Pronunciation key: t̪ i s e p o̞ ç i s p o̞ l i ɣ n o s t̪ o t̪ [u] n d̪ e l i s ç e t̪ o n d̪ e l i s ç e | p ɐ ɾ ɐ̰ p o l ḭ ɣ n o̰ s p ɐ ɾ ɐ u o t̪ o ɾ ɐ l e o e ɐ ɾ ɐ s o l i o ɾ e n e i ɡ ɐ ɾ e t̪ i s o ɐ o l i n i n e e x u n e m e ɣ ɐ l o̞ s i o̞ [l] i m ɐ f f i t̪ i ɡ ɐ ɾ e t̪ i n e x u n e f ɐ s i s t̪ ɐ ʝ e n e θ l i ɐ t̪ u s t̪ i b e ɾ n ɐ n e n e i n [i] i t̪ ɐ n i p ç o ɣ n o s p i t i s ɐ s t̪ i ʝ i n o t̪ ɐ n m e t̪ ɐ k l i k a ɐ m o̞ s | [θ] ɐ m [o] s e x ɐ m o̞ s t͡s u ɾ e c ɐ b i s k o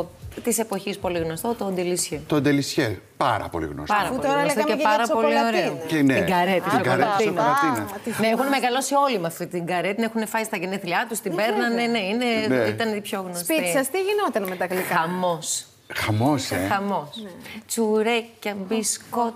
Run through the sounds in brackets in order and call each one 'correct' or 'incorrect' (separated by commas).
incorrect, correct, incorrect, incorrect, correct